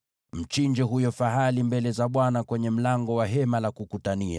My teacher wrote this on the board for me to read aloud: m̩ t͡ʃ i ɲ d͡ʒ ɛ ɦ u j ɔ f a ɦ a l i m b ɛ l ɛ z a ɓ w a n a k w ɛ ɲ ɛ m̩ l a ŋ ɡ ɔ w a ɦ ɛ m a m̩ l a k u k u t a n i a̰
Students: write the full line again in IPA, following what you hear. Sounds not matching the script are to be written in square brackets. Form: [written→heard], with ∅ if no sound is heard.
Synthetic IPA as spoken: m̩ t͡ʃ i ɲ d͡ʒ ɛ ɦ u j ɔ f a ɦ a l i m b ɛ l ɛ z a ɓ w a n a k w ɛ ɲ ɛ m̩ l a ŋ ɡ ɔ w a ɦ ɛ m a [m̩→∅] l a k u k u t a n i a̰